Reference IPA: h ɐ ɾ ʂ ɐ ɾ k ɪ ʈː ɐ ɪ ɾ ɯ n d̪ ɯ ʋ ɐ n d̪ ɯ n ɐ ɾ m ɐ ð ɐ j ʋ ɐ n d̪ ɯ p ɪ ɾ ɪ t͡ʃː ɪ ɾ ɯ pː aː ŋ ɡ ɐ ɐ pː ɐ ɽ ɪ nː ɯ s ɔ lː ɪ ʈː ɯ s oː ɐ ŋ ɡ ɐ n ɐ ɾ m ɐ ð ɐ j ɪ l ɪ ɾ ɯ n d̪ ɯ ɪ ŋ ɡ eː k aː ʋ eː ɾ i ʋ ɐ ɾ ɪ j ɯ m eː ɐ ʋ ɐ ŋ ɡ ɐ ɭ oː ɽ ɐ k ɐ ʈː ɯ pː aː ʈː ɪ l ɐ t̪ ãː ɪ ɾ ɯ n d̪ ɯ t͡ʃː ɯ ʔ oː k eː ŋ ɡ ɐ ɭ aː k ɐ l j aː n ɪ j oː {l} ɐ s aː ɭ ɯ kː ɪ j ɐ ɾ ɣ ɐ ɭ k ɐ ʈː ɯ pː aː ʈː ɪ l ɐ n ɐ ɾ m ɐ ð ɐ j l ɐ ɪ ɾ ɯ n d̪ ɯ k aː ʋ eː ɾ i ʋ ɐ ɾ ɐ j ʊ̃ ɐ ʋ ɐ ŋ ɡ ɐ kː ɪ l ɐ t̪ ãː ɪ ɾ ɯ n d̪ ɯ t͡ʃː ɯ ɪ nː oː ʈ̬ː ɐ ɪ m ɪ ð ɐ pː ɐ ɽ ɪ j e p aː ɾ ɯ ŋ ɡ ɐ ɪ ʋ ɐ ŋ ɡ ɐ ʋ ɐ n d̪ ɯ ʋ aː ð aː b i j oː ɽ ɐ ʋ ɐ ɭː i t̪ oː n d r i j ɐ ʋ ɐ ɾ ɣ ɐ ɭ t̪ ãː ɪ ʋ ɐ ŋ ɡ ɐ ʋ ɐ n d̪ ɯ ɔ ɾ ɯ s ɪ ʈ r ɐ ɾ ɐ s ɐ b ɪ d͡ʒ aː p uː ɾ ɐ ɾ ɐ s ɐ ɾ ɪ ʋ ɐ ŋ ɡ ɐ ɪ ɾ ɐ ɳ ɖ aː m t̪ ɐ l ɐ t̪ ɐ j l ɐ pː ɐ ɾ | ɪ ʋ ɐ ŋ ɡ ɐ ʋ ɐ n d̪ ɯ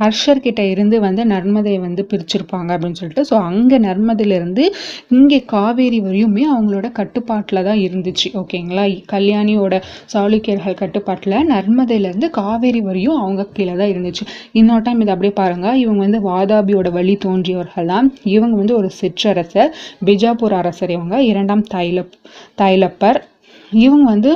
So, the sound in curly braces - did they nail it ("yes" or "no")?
no